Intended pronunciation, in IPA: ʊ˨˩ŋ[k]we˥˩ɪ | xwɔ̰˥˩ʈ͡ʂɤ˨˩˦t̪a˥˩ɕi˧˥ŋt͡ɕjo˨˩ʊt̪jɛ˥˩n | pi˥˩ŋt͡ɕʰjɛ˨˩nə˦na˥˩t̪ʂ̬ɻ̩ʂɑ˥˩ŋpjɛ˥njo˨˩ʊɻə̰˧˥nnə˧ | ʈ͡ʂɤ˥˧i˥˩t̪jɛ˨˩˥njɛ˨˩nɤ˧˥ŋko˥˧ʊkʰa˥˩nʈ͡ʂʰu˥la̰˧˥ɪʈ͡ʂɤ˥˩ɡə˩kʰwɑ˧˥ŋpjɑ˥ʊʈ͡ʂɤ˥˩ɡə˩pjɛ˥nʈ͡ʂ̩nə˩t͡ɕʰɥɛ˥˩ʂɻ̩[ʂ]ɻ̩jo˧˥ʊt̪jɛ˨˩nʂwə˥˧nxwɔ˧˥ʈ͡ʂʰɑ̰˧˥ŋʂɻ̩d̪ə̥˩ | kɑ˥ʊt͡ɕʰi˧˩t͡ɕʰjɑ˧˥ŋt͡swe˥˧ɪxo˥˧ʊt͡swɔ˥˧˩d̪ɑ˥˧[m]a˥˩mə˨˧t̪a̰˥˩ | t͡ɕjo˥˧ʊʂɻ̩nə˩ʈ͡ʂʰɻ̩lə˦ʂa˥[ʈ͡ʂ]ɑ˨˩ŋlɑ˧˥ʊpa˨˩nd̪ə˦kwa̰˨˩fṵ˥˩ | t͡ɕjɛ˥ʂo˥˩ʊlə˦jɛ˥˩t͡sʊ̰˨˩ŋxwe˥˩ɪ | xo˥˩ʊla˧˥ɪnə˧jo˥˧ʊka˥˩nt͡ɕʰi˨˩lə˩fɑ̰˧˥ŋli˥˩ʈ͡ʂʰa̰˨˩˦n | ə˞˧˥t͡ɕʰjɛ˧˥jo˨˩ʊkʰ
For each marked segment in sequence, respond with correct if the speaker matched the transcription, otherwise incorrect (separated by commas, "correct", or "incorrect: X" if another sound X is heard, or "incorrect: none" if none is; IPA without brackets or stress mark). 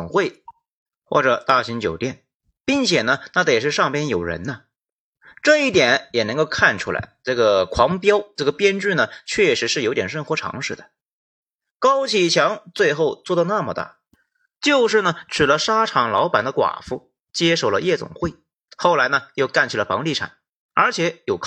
incorrect: x, correct, incorrect: n, incorrect: ʈ͡ʂʰ